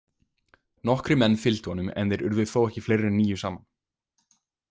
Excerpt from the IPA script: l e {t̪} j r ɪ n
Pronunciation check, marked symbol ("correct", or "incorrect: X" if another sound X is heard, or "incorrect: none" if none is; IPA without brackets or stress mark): incorrect: none